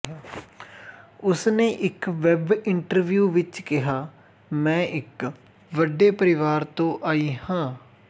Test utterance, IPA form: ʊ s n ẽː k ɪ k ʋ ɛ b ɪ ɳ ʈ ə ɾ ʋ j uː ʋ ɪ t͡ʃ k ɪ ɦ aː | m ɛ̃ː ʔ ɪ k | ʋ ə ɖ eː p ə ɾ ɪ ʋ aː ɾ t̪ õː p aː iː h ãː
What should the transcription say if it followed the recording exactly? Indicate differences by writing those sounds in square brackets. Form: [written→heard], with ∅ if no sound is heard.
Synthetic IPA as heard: ʊ s n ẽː [k→ʔ] ɪ k ʋ ɛ b ɪ ɳ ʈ ə ɾ ʋ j uː ʋ ɪ t͡ʃ k ɪ ɦ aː | m ɛ̃ː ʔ ɪ k | ʋ ə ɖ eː p ə ɾ ɪ ʋ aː ɾ t̪ õː [p→ʔ] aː iː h ãː